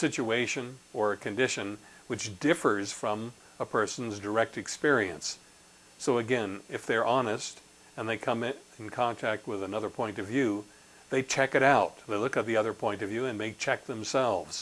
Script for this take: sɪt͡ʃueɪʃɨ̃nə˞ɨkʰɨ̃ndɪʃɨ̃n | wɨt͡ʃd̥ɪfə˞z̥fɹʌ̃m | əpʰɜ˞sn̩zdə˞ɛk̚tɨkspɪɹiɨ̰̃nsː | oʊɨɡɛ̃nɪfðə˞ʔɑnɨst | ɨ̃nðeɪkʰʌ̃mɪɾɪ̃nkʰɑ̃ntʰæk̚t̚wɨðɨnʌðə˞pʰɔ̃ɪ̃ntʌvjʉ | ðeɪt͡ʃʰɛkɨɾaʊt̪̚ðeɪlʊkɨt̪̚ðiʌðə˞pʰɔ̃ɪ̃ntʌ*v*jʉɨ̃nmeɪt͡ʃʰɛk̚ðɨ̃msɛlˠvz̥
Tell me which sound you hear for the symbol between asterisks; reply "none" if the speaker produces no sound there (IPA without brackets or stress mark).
v